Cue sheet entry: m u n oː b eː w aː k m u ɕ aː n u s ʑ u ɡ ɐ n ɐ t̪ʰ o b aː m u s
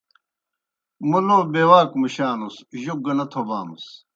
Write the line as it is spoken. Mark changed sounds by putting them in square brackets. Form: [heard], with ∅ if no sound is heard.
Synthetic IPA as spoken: m u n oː b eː w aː k m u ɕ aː n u s ʑ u ɡ ɐ n ɐ t̪ʰ o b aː m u s